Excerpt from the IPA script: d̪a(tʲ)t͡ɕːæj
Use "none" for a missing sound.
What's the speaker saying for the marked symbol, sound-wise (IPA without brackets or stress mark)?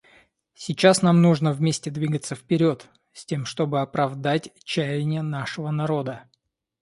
tʲ